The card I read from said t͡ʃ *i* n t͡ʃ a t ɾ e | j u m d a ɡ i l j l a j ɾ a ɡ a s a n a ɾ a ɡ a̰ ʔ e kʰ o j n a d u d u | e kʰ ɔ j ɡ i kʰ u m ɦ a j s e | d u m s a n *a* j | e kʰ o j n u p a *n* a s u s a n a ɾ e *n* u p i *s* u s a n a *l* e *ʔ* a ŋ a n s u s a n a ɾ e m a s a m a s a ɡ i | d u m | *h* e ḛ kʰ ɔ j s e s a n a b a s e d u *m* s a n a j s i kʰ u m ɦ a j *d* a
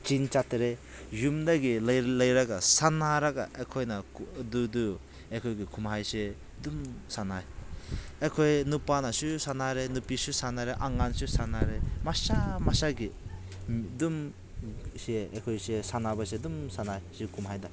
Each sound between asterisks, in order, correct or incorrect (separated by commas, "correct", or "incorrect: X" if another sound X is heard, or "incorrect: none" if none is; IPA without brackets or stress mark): correct, correct, correct, correct, correct, incorrect: ɾ, correct, incorrect: s, correct, correct